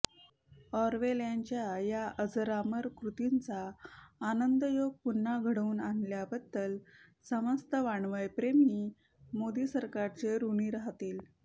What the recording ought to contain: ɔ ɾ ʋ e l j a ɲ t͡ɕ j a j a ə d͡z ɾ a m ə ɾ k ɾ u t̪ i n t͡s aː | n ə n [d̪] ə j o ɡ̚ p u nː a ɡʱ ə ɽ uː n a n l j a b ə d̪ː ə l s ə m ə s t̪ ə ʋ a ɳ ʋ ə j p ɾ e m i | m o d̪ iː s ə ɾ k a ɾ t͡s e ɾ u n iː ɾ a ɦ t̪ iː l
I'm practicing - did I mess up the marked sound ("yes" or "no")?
no